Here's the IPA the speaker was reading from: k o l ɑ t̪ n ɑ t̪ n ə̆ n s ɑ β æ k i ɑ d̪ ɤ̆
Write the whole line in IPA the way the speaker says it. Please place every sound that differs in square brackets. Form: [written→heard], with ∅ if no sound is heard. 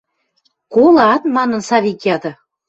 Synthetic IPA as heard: k o l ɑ t̪ [n→m] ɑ [t̪→∅] n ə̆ n s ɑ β [æ→i] k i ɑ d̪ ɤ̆